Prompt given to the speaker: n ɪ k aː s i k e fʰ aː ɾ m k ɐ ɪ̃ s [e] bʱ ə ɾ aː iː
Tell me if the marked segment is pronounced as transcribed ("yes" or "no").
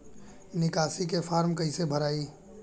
yes